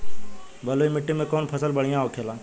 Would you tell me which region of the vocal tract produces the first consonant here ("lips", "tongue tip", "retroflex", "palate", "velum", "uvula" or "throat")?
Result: lips